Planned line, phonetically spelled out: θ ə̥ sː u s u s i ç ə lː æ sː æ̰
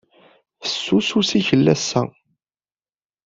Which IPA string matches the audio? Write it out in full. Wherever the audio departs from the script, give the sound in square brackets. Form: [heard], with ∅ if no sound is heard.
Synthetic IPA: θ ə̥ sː u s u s i ç ə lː æ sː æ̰